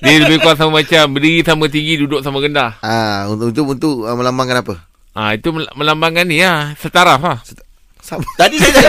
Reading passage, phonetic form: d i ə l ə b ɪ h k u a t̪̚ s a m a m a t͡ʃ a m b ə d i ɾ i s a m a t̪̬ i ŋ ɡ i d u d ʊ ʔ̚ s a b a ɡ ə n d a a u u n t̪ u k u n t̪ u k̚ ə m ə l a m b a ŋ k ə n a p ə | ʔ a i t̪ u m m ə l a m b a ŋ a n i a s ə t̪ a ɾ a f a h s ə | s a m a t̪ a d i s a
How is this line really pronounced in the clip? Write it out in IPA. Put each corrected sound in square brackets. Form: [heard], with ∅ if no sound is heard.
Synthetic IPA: d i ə l ə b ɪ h k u a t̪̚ s a m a m a t͡ʃ a m b ə d i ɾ i s a m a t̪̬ i ŋ ɡ i d u d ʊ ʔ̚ s a [m] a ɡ ə n d a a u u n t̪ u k u n t̪ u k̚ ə m ə l a m b a ŋ k ə n a p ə | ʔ a i t̪ u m m ə l a m b a ŋ a n i a s ə t̪ a ɾ a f a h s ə | s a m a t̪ a d i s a